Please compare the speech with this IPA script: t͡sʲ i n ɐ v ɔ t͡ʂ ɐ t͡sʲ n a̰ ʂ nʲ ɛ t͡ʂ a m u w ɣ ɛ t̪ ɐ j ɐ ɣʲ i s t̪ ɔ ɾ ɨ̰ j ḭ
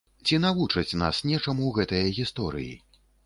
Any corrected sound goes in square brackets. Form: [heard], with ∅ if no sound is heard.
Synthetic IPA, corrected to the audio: t͡sʲ i n [a] v [u] t͡ʂ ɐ t͡sʲ n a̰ [s] nʲ ɛ t͡ʂ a m u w ɣ ɛ t̪ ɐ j ɐ ɣʲ i s t̪ ɔ ɾ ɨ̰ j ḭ

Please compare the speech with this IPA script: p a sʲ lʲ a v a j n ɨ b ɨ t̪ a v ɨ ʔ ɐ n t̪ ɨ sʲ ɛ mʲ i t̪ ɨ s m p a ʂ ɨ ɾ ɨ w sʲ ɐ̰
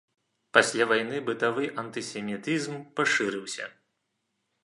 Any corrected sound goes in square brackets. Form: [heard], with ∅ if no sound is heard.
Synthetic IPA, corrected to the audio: p a sʲ lʲ a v a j n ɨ b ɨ t̪ a v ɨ ʔ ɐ n t̪ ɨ sʲ ɛ mʲ i t̪ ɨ [z] m p a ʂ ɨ ɾ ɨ w sʲ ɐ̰

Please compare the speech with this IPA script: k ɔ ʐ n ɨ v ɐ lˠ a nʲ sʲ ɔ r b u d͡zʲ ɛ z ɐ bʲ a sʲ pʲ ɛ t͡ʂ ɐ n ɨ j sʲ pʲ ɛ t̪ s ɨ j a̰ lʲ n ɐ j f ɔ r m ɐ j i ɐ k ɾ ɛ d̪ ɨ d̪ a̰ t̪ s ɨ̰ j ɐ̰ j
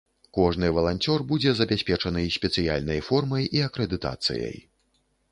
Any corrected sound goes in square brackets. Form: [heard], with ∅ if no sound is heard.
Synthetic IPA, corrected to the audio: k ɔ ʐ n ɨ v ɐ lˠ a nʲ [t͡sʲ] ɔ r b u d͡zʲ ɛ z ɐ bʲ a sʲ pʲ ɛ t͡ʂ ɐ n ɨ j sʲ pʲ ɛ t̪ s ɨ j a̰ lʲ n ɐ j f ɔ r m ɐ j i ɐ k ɾ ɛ d̪ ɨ [t̪] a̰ t̪ s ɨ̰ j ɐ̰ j

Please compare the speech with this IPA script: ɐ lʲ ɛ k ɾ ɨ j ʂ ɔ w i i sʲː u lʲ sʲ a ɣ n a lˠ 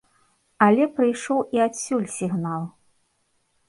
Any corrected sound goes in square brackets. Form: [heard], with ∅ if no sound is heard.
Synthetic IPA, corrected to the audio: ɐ lʲ ɛ [p] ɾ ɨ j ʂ ɔ w i [a] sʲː u lʲ sʲ [i] ɣ n a lˠ

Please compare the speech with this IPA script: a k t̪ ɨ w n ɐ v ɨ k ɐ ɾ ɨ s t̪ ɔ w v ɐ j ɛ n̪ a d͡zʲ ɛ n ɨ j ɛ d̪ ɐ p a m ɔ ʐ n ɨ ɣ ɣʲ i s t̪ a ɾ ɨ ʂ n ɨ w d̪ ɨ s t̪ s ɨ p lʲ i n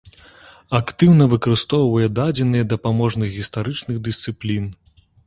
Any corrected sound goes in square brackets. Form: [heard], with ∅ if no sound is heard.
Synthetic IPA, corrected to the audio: a k t̪ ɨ w n ɐ v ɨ k ɐ ɾ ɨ s t̪ ɔ w v ɐ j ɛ [d̪] a d͡zʲ ɛ n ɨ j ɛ d̪ ɐ p a m ɔ ʐ n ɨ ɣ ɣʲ i s t̪ a ɾ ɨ [t͡ʂ] n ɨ [ɣ] d̪ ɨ s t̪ s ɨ p lʲ i n

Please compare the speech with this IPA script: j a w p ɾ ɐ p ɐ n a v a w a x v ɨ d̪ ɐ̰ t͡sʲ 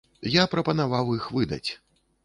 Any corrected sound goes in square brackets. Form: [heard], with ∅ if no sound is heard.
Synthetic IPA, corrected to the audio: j a [∅] p ɾ ɐ p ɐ n a v a w [i] x v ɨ d̪ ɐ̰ t͡sʲ

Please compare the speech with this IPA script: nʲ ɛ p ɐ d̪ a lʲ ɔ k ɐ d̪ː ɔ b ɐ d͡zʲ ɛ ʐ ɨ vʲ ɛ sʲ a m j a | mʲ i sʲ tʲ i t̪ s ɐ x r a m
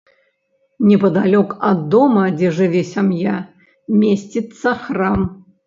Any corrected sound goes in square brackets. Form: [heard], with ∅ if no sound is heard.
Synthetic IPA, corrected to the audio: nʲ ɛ p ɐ d̪ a lʲ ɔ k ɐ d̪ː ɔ [m] ɐ d͡zʲ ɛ ʐ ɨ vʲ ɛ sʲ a m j a | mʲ [e] sʲ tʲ i t̪ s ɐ x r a m

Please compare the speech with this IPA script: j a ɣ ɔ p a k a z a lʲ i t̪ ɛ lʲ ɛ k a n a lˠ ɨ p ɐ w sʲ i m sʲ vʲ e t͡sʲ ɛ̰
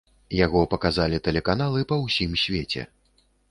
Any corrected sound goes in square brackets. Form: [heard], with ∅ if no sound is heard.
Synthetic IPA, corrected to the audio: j a ɣ ɔ p [ɐ] k a z a lʲ i t̪ ɛ lʲ ɛ k a n a lˠ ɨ p ɐ w sʲ i m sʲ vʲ e t͡sʲ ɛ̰

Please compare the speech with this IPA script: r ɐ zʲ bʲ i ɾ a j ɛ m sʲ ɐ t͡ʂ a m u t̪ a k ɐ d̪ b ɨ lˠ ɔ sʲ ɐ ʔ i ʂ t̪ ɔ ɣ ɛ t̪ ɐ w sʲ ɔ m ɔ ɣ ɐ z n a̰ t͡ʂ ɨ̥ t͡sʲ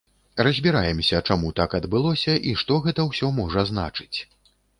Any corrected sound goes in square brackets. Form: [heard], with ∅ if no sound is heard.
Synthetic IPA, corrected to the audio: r ɐ zʲ bʲ i ɾ a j ɛ m sʲ ɐ t͡ʂ a m u t̪ a k ɐ d̪ b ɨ lˠ ɔ sʲ ɐ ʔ i ʂ t̪ ɔ ɣ ɛ t̪ ɐ w sʲ ɔ m ɔ [ʐ] ɐ z n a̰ t͡ʂ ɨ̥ t͡sʲ

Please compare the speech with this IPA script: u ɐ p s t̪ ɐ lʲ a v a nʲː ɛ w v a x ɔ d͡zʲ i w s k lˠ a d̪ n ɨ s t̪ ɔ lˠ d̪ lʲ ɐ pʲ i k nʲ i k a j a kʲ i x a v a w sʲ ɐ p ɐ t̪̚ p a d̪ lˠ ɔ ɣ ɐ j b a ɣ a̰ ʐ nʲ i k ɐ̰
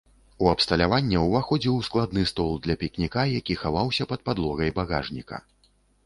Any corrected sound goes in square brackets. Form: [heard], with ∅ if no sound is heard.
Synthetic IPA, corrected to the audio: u ɐ p s t̪ ɐ lʲ a v a nʲː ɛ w v a x ɔ d͡zʲ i w s k lˠ a d̪ n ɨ s t̪ ɔ lˠ d̪ lʲ ɐ pʲ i k nʲ i k a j a kʲ i x a v a w sʲ ɐ p ɐ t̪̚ p a d̪ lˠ ɔ ɣ ɐ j b a ɣ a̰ ʐ nʲ i k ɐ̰

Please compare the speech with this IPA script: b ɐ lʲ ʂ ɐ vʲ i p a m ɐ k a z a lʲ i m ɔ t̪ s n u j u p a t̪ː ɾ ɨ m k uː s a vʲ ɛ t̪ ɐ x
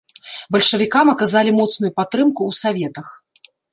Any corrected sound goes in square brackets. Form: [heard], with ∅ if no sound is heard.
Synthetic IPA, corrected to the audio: b ɐ lʲ ʂ ɐ vʲ i [k] a m ɐ k a z a lʲ i m ɔ t̪ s n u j u p a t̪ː ɾ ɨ m k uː s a vʲ ɛ t̪ ɐ x

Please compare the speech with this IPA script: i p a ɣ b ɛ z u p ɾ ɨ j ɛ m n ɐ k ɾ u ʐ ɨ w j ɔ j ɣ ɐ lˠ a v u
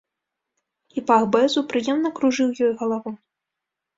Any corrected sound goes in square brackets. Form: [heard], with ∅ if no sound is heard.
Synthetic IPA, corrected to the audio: i p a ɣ b ɛ z u p ɾ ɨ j ɛ m n ɐ k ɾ u ʐ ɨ w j ɔ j ɣ ɐ lˠ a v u

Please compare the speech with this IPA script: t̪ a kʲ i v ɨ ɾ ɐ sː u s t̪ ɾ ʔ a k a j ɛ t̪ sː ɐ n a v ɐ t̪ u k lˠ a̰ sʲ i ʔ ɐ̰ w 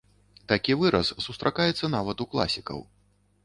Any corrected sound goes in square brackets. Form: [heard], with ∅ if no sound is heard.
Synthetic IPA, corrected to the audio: t̪ a kʲ i v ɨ ɾ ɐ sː u s t̪ ɾ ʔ a k a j ɛ t̪ sː ɐ n a v ɐ t̪ u k lˠ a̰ sʲ i [k] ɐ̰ w

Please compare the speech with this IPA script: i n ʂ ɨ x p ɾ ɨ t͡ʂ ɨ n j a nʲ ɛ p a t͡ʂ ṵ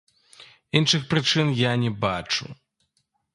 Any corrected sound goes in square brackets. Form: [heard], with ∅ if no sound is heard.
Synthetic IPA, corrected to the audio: i n ʂ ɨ x p ɾ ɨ t͡ʂ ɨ n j a nʲ ɛ [b] a t͡ʂ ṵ

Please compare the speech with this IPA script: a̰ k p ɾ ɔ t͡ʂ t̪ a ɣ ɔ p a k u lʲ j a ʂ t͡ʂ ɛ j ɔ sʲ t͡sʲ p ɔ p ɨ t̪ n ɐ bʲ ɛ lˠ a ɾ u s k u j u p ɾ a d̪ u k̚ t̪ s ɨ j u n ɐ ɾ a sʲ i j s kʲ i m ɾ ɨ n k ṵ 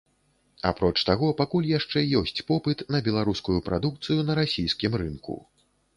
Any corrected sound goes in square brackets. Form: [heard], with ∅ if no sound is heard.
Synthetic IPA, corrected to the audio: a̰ [∅] p ɾ ɔ t͡ʂ t̪ a ɣ ɔ p a k u lʲ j a ʂ t͡ʂ ɛ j ɔ sʲ t͡sʲ p ɔ p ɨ t̪ n ɐ bʲ ɛ lˠ a ɾ u s k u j u p ɾ a d̪ u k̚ t̪ s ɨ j u n ɐ ɾ a sʲ i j s kʲ i m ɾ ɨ n k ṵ

